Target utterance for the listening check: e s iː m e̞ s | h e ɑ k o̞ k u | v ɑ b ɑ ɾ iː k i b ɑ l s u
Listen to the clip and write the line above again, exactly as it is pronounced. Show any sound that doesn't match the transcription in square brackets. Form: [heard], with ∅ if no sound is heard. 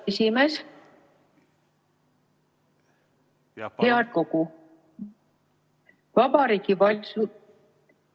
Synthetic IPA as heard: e s [i] m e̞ s | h e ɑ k o̞ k u | v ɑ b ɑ ɾ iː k i [v] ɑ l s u